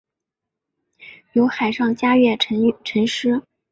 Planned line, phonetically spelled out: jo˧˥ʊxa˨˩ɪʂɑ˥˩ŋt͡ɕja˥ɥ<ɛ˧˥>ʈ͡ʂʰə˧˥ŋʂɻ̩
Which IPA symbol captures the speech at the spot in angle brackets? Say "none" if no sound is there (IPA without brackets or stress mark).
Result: ɛ˥˩˧